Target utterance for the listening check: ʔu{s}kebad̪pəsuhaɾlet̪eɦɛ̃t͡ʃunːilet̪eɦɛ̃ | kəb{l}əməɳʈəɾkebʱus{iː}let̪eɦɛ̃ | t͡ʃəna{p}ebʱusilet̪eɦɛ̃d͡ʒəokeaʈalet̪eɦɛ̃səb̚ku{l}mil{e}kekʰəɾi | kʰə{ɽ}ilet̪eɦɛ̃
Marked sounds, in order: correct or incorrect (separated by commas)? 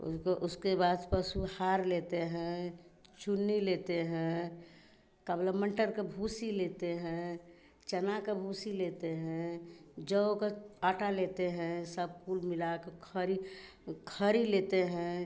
correct, correct, incorrect, incorrect, correct, incorrect, incorrect